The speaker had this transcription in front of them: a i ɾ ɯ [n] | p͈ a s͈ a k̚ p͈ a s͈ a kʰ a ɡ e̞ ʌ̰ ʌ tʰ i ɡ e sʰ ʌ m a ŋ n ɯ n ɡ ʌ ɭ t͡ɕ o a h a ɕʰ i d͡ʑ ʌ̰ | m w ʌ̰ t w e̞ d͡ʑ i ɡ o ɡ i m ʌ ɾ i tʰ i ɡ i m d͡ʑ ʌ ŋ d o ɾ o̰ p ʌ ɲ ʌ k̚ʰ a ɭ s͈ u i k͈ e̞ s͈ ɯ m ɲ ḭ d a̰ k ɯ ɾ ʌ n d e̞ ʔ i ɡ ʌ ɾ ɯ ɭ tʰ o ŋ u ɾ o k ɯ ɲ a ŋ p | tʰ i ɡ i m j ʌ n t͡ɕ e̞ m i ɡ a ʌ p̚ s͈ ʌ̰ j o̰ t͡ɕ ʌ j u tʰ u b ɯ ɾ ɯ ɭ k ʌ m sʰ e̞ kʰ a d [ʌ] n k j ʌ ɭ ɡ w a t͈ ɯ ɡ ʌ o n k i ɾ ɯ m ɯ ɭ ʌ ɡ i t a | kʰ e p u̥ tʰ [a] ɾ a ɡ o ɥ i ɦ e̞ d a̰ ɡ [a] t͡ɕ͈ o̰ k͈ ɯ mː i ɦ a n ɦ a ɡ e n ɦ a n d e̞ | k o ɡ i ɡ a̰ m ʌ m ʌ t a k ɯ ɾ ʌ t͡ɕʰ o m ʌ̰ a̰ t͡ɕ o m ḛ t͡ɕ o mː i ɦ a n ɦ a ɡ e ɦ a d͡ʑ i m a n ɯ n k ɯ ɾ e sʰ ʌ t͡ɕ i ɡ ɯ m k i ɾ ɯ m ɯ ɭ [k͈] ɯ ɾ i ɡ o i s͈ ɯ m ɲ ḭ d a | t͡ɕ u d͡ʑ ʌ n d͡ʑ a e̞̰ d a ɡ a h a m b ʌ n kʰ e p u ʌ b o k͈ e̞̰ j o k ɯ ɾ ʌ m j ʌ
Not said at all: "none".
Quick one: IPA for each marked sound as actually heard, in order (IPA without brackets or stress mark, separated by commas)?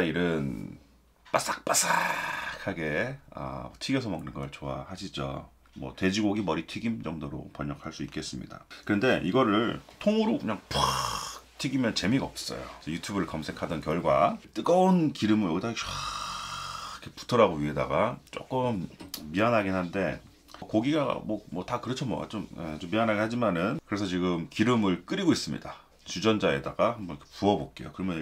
n, ʌ, ʌ, a, k͈